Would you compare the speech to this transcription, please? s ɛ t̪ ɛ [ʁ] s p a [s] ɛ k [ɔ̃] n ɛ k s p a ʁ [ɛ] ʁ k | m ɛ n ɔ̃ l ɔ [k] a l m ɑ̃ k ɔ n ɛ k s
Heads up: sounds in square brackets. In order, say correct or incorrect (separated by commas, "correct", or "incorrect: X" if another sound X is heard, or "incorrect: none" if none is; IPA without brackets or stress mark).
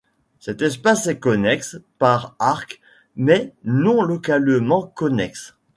incorrect: none, correct, incorrect: ɔ, incorrect: a, correct